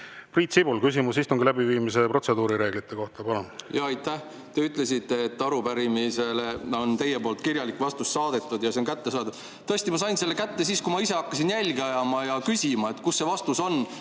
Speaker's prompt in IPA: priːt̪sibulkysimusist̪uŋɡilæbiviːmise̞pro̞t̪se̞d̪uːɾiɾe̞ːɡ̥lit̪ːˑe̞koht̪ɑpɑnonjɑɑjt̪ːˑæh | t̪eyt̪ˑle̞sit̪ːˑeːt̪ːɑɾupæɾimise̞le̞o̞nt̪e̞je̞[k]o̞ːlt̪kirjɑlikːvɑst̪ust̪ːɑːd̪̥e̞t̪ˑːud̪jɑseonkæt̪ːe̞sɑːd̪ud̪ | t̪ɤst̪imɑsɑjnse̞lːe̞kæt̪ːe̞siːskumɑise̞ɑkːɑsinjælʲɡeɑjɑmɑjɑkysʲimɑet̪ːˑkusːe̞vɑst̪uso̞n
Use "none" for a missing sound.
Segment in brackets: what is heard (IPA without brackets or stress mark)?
p